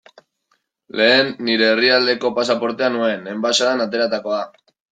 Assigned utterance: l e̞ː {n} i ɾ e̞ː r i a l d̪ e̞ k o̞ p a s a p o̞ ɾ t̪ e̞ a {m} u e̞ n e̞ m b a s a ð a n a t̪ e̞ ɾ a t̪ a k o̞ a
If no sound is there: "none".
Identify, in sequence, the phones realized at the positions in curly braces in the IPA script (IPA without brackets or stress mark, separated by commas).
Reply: nː, n